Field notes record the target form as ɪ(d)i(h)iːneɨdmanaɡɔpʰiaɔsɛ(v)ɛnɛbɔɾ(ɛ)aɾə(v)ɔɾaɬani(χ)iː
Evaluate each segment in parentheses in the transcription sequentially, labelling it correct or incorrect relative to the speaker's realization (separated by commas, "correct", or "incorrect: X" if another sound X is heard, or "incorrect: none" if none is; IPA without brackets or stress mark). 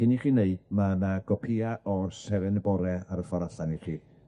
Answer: incorrect: n, incorrect: χ, correct, correct, incorrect: f, correct